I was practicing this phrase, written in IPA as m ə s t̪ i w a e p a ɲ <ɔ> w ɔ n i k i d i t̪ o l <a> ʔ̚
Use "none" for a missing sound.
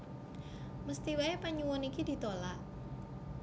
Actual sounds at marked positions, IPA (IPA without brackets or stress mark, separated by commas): u, a